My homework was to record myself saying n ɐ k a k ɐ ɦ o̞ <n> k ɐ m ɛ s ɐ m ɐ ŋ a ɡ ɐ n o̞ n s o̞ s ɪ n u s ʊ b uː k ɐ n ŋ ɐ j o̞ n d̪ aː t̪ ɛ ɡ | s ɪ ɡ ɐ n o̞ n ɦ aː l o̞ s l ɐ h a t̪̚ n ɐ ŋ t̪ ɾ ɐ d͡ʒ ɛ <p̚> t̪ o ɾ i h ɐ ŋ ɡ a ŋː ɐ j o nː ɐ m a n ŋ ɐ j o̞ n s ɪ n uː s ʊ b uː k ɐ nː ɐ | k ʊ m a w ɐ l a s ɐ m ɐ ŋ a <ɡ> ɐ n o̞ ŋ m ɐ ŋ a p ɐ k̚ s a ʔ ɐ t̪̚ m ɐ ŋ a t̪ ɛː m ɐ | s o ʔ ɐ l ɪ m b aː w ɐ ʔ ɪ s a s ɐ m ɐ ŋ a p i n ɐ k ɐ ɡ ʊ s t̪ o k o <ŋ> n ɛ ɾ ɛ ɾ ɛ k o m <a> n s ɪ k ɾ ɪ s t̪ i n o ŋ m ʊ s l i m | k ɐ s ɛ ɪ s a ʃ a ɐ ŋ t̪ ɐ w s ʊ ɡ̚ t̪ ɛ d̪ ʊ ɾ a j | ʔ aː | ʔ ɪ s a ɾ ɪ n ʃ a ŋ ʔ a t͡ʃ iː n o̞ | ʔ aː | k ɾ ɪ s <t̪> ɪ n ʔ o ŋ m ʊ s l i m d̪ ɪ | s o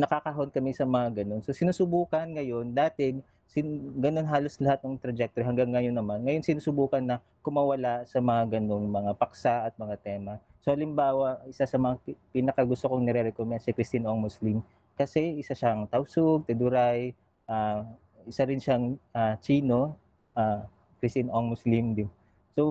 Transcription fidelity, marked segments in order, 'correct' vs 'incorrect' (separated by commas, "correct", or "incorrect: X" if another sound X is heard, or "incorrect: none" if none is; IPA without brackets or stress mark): correct, incorrect: k̚, correct, correct, incorrect: ɛ, correct